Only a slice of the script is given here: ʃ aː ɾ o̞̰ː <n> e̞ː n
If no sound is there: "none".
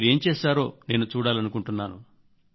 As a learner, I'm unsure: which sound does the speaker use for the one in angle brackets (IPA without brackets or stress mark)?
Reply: n